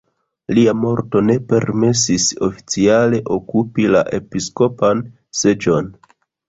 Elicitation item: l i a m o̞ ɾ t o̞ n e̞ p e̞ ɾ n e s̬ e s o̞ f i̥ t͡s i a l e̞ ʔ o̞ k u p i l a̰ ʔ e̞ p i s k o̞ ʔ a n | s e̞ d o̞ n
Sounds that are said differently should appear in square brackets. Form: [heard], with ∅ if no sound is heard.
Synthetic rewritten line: l i a m o̞ ɾ t o̞ n e̞ p e̞ ɾ [m] e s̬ [i] s o̞ f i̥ t͡s i a l e̞ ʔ o̞ k u p i l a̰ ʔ e̞ p i s k o̞ [p] a n | s e̞ [d͡ʒ] o̞ n

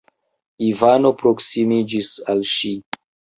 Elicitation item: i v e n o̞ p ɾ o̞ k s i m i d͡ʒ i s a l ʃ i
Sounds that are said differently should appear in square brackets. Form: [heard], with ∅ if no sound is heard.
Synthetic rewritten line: i v [a] n o̞ p ɾ o̞ k s i m i d͡ʒ i s a l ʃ i

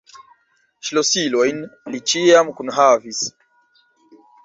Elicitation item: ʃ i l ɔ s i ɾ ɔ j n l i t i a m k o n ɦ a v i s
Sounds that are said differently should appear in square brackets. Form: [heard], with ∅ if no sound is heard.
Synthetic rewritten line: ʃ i l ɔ s i [l] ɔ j n l i [t͡ʃ] i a m k [u] n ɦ a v i s

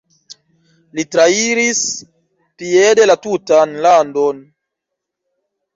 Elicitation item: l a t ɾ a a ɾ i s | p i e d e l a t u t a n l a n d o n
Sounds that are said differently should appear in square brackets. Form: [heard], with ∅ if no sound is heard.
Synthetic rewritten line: l [i] t ɾ a [i] ɾ i s | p i e d e l a t u t a n l a n d o n

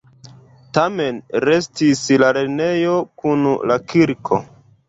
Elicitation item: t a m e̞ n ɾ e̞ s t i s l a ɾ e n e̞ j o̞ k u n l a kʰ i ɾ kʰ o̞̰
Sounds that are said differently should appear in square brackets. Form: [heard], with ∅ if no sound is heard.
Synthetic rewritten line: t a m e̞ n ɾ e̞ s t i s l a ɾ e n e̞ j o̞ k u n l a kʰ i ɾ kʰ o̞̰

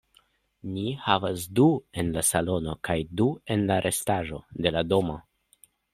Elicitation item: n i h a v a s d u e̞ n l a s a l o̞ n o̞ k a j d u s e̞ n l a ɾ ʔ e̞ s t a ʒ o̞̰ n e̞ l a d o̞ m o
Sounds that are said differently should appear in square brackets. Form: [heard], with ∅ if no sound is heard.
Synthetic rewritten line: n i h a v a s d u e̞ n l a s a l o̞ n o̞ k a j d u [∅] e̞ n l a ɾ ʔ e̞ s t a ʒ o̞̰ [d] e̞ l a d o̞ m o

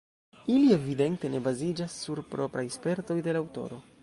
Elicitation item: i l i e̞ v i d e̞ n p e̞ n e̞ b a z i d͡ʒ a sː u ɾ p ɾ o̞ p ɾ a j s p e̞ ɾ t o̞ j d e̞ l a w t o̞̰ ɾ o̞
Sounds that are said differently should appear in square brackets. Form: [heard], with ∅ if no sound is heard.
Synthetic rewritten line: i l i e̞ v i d e̞ n [t] e̞ n e̞ b a z i d͡ʒ a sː u ɾ p ɾ o̞ p ɾ a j s p e̞ ɾ t o̞ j d e̞ l a w t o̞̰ ɾ o̞

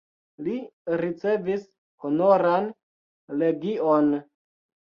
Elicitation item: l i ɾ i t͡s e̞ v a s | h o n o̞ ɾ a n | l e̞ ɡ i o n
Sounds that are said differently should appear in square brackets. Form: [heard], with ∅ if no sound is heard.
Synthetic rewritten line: l i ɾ i t͡s e̞ v [i] s | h o n o̞ ɾ a n | l e̞ ɡ i o n

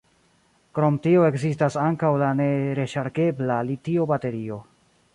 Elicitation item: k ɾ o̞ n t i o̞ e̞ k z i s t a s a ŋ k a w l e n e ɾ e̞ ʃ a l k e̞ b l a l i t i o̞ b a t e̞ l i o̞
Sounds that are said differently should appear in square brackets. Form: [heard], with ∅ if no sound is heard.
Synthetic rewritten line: k ɾ o̞ [m] t i o̞ e̞ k z i s t a s a ŋ k a w l [a] n e ɾ e̞ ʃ a [ɾ] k e̞ b l a l i t i o̞ b a t e̞ [ɾ] i o̞

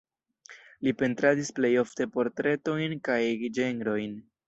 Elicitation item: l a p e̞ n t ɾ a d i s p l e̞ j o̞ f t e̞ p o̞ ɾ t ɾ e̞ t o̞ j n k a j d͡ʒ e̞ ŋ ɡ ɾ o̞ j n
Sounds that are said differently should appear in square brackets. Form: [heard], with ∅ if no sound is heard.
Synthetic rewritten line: l [i] p e̞ n t ɾ a d i s p l e̞ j o̞ f t e̞ p o̞ ɾ t ɾ e̞ t o̞ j n k a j d͡ʒ e̞ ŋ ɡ ɾ o̞ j n

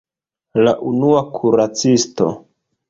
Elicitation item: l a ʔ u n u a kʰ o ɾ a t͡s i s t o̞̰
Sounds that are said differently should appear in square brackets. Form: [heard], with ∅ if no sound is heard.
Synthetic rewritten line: l a ʔ u n u a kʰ [u] ɾ a t͡s i s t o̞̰

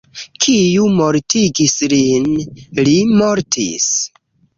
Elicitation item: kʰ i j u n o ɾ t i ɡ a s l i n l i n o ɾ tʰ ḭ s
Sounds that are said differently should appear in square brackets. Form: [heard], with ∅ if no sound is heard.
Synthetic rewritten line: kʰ i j u [m] o ɾ t i ɡ [i] s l i n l i [m] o ɾ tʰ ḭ s

